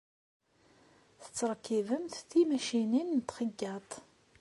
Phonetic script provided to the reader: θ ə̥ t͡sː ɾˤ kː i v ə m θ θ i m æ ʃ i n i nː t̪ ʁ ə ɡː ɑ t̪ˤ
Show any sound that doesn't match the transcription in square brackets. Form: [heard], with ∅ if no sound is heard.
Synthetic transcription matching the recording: θ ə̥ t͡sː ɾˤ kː i v ə m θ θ i m æ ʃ i n i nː t̪ [χ] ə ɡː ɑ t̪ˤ